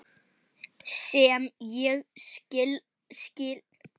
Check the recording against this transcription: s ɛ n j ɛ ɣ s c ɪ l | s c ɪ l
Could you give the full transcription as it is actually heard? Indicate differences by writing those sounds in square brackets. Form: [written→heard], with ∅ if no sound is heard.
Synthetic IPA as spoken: s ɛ [n→m] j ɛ ɣ s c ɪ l | s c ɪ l